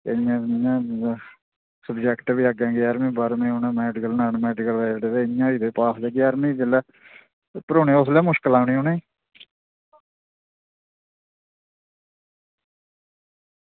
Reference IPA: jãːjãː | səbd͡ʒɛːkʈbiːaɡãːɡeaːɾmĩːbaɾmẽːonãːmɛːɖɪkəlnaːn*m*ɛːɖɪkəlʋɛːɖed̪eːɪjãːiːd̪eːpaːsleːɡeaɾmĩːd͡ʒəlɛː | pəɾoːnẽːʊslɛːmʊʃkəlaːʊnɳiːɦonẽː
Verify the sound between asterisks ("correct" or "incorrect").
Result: correct